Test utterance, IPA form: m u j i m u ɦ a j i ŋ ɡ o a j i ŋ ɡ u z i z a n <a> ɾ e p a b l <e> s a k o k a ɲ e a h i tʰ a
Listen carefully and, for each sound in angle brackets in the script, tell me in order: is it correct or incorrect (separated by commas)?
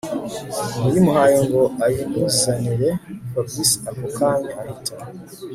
incorrect, incorrect